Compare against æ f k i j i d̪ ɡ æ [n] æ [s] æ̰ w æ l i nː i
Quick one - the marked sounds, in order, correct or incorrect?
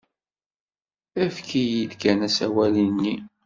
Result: correct, correct

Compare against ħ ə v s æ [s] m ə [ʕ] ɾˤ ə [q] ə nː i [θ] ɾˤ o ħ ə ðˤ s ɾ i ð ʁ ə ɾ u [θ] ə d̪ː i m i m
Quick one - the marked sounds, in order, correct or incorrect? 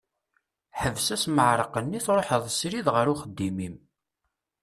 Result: correct, correct, correct, correct, incorrect: χ

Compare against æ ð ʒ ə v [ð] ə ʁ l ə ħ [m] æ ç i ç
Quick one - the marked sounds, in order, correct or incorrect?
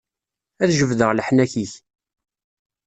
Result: correct, incorrect: n

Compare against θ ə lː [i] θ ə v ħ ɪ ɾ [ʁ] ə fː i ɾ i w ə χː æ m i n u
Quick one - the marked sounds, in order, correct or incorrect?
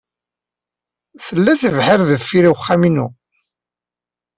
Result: incorrect: æ, incorrect: ð

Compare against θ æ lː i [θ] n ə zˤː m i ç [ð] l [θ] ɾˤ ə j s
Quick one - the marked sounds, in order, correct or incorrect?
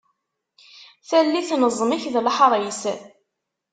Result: correct, correct, incorrect: ħ

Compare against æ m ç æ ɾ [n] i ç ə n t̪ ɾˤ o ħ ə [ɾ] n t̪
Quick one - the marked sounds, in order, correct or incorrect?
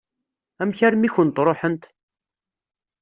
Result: incorrect: m, incorrect: none

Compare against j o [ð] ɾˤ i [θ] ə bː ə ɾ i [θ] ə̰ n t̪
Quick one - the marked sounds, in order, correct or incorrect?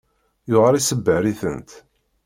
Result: incorrect: ʁ, incorrect: s, correct

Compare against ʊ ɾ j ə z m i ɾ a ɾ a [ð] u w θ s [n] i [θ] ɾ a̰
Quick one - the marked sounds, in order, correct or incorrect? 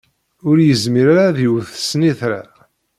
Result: correct, correct, correct

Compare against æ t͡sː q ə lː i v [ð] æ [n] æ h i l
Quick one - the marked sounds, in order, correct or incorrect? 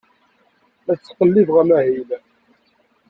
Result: incorrect: ʁ, incorrect: m

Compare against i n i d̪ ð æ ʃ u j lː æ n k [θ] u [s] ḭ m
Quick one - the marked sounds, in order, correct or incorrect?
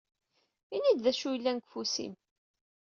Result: incorrect: f, correct

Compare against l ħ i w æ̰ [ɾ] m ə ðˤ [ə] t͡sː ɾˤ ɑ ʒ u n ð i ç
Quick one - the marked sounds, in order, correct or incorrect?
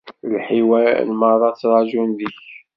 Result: incorrect: l, incorrect: ɑ

